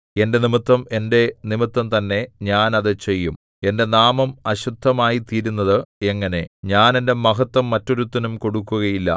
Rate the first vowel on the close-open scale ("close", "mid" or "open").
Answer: mid